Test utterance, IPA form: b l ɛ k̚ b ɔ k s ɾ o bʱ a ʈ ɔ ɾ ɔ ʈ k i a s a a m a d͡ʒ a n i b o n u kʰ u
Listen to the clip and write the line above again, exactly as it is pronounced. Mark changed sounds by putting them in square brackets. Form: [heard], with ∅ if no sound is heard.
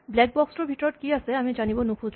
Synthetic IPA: b l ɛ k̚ b ɔ k s ɾ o bʱ [i] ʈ ɔ ɾ ɔ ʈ k i a s [e] a m [i] d͡ʒ a n i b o n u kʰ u